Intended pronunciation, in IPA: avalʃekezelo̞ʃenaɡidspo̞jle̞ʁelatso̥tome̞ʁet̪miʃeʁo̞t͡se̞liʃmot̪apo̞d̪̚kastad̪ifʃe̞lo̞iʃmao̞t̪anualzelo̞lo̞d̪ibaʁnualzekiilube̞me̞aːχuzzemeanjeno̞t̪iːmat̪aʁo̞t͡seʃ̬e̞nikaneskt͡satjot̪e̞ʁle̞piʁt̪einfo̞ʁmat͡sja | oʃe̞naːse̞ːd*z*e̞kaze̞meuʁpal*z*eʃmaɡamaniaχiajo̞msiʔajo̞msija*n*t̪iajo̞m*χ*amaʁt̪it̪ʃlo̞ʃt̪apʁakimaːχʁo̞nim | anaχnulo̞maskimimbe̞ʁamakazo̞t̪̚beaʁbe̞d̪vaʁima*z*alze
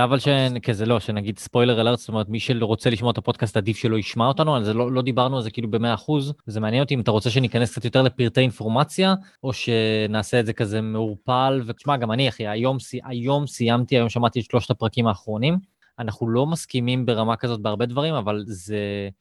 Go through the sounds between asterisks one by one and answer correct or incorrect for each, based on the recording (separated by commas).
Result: correct, incorrect, incorrect, incorrect, incorrect